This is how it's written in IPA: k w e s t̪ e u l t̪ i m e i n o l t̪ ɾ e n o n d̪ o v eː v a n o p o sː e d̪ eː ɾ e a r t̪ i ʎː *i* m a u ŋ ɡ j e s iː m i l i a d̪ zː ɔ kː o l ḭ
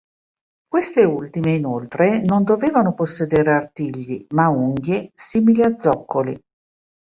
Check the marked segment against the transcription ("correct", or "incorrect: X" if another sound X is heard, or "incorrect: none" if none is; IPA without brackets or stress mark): correct